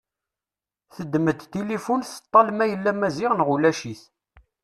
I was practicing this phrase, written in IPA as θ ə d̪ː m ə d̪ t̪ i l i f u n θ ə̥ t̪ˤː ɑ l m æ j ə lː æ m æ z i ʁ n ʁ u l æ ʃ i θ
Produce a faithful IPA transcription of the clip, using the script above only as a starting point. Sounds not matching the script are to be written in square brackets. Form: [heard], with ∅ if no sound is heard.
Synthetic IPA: θ ə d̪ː m ə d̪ t̪ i l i f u n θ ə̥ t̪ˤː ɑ l m æ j ə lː æ m æ z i ʁ n ʁ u l æ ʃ i θ

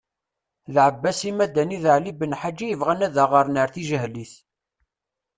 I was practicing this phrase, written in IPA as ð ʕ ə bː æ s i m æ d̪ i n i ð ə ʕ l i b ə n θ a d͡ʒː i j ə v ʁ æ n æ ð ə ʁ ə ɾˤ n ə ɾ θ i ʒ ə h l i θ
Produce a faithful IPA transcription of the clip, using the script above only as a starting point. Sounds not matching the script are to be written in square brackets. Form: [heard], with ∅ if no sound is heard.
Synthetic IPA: ð ʕ ə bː æ s i m æ d̪ [æ] n i ð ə ʕ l i b ə n [ħ] a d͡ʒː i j ə v ʁ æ n æ ð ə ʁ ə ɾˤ n ə ɾ θ i ʒ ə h l i θ

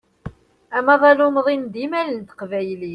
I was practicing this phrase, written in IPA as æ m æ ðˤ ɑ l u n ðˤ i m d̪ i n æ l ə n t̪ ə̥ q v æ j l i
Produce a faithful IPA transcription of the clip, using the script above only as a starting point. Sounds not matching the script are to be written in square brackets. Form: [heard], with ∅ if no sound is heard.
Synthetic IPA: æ m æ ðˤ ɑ l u [m] ðˤ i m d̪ i [m] æ l ə n t̪ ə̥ q v æ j l i

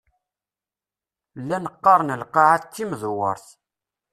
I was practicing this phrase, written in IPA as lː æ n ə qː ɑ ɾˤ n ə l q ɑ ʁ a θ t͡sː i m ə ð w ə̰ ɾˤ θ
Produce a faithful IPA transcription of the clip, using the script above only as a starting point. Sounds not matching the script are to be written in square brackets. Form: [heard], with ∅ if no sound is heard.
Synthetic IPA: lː æ n ə qː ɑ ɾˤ n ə l q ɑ [ʕ] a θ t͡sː i m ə ð w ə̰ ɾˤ θ

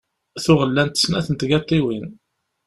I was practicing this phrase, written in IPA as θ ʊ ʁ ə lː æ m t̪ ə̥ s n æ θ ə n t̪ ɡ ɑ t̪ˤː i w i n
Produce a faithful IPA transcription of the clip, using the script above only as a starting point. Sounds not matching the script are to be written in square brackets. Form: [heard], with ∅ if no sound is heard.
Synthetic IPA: θ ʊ ʁ ə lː æ [n] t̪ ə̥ s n æ θ ə n t̪ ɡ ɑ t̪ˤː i w i n

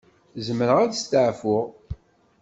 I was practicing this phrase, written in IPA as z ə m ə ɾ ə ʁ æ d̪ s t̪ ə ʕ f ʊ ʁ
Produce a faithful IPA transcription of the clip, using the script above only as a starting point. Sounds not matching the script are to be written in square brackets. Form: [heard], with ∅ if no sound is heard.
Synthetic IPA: z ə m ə ɾ ə ʁ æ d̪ s t̪ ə ʕ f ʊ ʁ

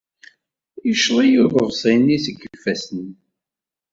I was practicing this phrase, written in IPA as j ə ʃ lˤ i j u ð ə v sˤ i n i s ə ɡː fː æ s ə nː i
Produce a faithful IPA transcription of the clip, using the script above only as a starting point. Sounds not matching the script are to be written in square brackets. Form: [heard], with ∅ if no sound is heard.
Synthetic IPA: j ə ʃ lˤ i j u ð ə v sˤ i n i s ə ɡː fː æ s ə [n] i

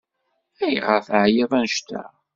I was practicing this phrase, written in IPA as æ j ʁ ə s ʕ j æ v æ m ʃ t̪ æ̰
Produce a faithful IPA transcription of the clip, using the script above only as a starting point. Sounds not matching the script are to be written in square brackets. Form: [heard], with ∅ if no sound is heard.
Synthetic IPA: æ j ʁ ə [f] ʕ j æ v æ [n] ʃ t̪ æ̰

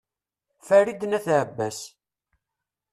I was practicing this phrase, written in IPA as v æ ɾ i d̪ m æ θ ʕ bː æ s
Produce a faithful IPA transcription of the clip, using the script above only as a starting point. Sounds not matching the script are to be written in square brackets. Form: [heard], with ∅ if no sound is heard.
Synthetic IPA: [f] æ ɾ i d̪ [n] æ θ ʕ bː æ s

